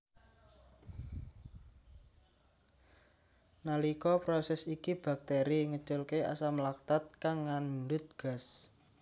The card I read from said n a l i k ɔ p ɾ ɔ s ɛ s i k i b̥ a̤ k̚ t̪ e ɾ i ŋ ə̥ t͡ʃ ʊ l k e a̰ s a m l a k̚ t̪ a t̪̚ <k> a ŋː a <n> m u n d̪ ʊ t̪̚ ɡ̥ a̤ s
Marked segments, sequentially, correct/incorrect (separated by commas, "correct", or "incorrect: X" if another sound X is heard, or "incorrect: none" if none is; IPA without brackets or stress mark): correct, correct